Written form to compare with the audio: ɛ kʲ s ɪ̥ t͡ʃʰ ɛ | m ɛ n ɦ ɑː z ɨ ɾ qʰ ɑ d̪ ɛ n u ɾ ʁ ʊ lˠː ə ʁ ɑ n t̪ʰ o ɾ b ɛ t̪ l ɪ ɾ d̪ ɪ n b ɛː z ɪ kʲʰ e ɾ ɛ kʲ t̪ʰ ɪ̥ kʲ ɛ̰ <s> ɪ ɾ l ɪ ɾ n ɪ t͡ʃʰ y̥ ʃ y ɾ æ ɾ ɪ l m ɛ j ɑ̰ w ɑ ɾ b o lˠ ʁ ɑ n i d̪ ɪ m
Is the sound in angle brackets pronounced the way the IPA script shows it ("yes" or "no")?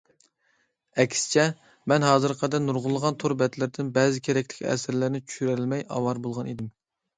yes